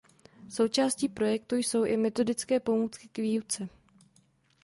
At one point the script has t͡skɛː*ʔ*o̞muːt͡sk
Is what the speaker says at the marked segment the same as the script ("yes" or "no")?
no